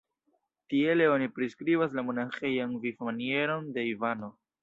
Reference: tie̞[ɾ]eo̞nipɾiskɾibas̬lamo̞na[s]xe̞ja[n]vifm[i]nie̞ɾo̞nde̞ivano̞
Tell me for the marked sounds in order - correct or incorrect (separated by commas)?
incorrect, incorrect, correct, incorrect